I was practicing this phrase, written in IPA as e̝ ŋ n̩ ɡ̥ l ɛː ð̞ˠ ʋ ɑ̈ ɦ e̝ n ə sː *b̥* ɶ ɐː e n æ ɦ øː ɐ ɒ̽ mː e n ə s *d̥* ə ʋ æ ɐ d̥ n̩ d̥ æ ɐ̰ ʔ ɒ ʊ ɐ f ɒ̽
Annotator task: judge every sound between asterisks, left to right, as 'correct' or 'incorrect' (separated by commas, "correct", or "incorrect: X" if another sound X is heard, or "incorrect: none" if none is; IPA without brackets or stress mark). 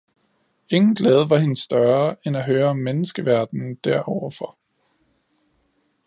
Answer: incorrect: d̥, incorrect: ɡ̥